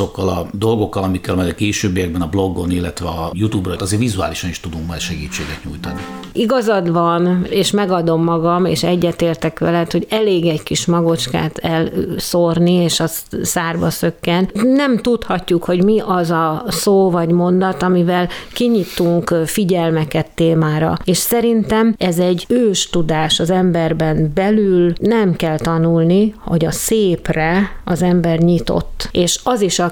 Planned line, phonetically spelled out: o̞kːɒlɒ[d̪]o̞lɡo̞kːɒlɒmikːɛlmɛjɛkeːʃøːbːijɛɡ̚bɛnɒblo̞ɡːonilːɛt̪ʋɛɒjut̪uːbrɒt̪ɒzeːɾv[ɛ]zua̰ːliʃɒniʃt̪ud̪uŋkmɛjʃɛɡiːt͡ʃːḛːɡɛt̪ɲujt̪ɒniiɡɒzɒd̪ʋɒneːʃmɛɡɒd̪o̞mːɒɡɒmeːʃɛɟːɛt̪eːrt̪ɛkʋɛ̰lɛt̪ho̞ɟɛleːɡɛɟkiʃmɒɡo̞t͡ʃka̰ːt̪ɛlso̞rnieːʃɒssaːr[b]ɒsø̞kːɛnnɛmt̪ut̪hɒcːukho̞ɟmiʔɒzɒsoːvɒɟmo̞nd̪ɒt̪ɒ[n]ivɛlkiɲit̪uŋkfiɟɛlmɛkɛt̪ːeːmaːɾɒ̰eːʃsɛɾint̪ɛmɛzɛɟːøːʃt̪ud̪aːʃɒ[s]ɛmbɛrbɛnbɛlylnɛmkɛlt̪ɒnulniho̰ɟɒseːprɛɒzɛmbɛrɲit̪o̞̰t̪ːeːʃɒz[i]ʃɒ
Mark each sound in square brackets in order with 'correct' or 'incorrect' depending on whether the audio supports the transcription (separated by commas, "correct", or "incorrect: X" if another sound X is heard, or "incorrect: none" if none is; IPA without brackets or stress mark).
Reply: correct, incorrect: i, correct, incorrect: m, incorrect: z, correct